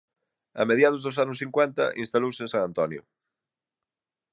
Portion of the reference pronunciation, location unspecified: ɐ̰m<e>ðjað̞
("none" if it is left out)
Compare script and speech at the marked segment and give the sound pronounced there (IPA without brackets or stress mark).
e